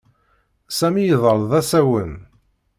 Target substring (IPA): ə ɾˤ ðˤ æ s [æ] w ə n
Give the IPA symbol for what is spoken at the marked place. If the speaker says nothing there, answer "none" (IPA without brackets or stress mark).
æ